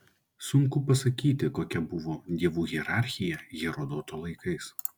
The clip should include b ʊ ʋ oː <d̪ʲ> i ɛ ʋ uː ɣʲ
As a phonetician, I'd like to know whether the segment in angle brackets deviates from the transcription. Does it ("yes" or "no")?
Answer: no